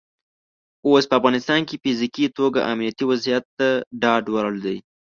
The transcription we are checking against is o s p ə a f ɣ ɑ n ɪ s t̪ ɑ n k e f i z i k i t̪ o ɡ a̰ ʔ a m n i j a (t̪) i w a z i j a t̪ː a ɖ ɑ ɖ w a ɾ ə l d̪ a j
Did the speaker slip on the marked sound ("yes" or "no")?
no